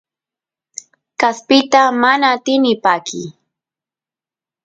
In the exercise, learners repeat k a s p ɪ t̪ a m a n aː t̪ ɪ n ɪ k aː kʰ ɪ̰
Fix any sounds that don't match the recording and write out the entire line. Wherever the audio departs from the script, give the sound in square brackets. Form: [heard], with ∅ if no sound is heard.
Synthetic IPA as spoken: k a s p ɪ t̪ a m a n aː t̪ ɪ n ɪ [p] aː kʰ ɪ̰